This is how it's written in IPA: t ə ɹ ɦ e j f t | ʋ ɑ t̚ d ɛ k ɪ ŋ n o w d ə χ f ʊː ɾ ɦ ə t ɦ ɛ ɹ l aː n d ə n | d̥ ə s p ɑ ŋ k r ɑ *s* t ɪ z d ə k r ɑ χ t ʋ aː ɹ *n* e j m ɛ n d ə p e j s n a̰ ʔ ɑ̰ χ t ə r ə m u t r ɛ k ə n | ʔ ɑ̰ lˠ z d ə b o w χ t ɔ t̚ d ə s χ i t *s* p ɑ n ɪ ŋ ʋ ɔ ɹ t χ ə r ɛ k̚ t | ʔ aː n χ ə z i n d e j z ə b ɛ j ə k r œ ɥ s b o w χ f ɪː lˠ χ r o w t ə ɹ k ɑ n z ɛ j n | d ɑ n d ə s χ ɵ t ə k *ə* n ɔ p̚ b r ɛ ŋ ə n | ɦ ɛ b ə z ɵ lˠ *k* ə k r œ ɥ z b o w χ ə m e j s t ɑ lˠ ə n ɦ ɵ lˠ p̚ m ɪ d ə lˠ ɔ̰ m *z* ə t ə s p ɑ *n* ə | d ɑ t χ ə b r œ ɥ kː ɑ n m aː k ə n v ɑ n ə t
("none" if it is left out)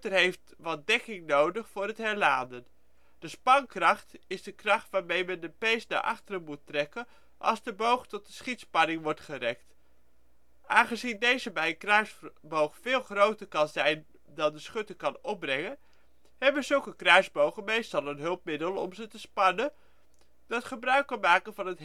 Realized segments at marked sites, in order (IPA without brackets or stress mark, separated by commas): χ, m, s, ɑ, k, z, n